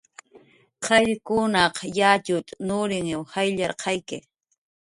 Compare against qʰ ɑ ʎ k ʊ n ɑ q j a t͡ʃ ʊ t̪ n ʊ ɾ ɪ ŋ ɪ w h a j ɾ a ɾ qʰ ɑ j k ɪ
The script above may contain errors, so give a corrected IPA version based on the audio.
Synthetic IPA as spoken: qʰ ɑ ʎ k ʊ n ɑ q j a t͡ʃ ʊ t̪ n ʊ ɾ ɪ ŋ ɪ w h a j ʎ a ɾ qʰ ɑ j k ɪ